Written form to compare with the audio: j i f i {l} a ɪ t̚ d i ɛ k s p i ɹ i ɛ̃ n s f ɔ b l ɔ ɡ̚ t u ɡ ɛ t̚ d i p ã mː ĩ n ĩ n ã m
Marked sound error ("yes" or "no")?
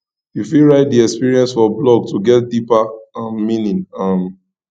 yes